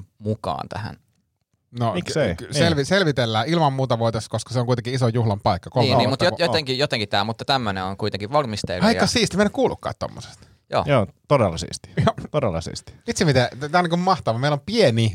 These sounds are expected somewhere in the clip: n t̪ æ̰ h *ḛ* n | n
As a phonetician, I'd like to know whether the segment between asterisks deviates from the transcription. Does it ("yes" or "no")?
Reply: yes